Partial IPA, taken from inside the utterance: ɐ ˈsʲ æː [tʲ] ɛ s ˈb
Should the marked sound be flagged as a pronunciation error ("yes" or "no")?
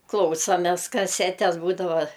no